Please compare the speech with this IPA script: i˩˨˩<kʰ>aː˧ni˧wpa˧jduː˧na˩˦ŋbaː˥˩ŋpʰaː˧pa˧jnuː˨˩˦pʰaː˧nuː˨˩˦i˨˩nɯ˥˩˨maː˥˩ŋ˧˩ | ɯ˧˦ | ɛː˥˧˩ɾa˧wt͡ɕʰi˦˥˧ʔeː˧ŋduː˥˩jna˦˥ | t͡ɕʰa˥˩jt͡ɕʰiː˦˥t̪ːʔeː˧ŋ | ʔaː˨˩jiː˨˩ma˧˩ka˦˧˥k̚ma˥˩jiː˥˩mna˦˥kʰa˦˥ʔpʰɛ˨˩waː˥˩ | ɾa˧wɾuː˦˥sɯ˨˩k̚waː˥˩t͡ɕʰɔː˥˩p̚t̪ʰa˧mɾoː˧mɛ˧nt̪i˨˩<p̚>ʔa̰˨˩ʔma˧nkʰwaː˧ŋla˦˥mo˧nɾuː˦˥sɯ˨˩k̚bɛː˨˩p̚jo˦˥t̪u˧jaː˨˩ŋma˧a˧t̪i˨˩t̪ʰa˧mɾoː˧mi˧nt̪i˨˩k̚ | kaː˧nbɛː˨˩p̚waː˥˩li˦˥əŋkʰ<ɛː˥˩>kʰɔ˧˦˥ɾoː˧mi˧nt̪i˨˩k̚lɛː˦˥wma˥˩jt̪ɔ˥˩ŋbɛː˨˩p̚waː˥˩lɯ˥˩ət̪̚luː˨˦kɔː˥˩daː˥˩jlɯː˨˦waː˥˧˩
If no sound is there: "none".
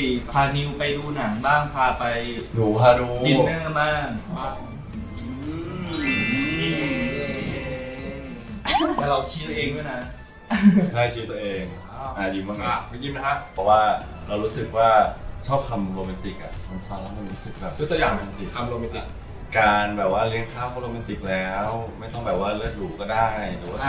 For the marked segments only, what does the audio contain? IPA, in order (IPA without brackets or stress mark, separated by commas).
pʰ, k̚, aː˥˩